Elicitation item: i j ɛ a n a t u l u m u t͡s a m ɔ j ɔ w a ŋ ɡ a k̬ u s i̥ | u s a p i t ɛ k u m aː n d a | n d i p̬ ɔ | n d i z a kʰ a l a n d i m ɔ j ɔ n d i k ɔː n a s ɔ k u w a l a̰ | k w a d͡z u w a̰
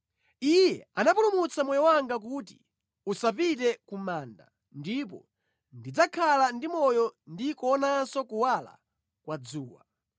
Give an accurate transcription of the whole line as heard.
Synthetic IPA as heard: i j ɛ a n a p u l u m u t͡s a m ɔ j ɔ w a ŋ ɡ a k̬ u t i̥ | u s a p i t ɛ k u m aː n d a | n d i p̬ ɔ | n d i d͡z a kʰ a l a n d i m ɔ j ɔ n d i k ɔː n a s ɔ k u w a l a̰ | k w a d͡z uː w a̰